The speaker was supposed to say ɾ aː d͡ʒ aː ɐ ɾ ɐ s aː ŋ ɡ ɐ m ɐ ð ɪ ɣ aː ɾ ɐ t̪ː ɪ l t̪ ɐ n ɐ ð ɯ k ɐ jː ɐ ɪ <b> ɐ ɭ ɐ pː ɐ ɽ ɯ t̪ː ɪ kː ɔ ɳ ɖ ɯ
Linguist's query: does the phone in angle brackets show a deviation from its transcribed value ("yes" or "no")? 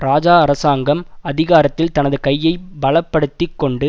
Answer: no